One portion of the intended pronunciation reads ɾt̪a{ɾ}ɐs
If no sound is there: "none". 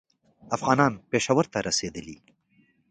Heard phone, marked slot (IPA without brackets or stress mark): ɾ